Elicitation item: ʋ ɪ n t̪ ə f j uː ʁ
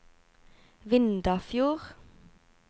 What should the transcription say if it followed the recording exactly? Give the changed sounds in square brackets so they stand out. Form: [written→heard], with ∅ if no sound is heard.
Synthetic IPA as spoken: ʋ ɪ n [t̪→d̪] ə f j uː ʁ